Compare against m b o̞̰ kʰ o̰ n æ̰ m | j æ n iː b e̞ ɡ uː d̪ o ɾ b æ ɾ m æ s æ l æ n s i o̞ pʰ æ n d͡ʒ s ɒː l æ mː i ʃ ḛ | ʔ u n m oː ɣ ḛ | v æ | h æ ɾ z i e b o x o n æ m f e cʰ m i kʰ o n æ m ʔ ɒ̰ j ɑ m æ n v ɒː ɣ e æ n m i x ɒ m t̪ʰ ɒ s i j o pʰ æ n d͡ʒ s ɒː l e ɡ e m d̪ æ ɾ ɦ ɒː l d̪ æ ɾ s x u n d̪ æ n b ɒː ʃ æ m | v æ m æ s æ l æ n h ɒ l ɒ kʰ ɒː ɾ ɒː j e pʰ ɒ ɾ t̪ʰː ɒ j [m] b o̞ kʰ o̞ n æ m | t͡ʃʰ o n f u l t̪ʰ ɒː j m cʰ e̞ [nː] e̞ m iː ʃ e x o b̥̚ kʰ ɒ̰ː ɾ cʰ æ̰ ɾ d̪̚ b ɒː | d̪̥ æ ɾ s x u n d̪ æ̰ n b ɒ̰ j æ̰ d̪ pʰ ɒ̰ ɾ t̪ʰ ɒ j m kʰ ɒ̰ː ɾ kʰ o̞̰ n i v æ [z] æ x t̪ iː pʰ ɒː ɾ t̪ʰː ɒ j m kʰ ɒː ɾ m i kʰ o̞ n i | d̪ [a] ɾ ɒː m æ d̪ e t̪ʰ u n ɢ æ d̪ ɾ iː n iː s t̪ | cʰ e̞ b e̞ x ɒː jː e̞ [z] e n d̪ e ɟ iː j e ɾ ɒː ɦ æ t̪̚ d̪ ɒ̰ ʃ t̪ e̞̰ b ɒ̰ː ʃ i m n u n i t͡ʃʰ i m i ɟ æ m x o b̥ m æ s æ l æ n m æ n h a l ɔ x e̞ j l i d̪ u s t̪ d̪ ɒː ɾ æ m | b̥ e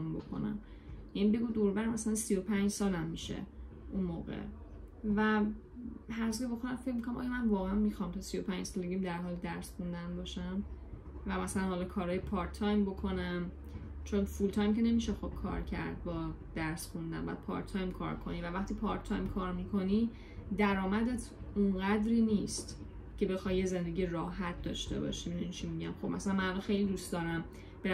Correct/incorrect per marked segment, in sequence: correct, incorrect: n, incorrect: v, incorrect: æ, correct

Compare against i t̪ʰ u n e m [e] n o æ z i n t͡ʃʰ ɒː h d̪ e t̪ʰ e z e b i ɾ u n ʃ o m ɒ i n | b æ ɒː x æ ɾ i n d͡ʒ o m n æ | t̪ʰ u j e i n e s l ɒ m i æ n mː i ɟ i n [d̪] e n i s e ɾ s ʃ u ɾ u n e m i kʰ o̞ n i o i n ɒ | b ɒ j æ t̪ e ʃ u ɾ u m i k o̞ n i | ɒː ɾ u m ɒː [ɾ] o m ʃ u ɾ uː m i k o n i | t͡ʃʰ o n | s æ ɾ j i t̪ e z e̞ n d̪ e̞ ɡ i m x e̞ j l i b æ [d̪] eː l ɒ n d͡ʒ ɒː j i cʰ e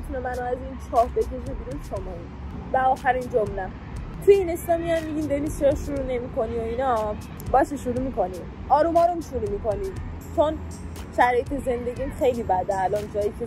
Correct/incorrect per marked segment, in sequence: incorrect: æ, correct, correct, correct

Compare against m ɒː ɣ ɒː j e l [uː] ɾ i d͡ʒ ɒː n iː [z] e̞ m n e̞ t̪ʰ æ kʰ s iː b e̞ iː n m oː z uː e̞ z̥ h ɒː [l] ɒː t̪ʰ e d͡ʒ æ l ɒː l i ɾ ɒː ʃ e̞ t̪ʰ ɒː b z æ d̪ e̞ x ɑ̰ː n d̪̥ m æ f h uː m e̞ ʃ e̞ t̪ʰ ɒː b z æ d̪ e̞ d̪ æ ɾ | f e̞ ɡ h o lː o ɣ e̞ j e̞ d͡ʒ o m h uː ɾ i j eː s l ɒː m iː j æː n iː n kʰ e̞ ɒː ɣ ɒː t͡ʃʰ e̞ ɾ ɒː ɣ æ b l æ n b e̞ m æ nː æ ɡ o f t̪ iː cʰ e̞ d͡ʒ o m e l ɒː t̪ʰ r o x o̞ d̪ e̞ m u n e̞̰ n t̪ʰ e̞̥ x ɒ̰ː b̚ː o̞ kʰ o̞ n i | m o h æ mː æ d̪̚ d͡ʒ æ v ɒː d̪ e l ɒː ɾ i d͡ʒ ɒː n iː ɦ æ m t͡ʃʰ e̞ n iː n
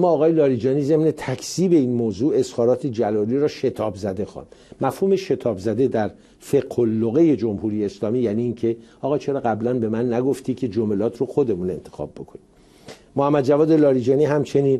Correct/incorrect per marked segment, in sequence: incorrect: ɒː, correct, incorrect: ɾ

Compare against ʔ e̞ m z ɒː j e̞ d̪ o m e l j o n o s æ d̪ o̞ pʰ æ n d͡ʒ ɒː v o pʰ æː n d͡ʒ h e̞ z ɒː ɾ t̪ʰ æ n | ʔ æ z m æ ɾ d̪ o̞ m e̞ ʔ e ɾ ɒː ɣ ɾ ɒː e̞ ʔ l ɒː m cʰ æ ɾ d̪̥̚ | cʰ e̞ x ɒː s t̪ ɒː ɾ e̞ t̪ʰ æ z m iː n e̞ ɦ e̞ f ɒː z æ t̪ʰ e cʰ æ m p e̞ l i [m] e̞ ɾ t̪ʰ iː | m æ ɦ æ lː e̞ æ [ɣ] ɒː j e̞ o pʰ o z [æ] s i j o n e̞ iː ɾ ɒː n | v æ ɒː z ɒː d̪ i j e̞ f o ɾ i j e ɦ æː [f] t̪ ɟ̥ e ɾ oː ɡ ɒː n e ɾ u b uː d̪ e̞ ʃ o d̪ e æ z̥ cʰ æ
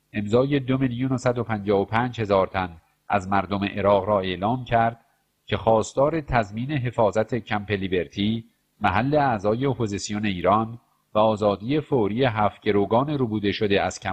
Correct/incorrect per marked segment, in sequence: incorrect: b, incorrect: z, incorrect: i, correct

